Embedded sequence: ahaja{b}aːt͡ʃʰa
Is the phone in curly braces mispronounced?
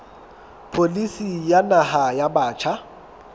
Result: no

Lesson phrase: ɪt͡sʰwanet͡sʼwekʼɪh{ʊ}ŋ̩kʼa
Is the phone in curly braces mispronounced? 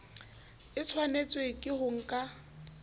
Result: no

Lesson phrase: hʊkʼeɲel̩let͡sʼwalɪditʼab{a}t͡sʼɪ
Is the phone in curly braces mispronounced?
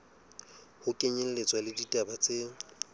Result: no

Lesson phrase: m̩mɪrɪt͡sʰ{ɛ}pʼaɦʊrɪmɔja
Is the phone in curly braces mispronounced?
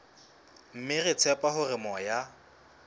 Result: no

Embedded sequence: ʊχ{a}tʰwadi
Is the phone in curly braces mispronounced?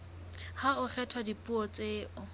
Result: yes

